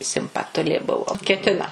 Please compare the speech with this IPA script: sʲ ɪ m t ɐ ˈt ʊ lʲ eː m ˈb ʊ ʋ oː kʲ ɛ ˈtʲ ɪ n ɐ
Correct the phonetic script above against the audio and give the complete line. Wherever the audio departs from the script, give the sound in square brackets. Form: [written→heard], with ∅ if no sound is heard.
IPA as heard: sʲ ɪ m [t→p] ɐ ˈt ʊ lʲ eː [m→∅] ˈb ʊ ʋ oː kʲ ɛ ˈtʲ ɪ n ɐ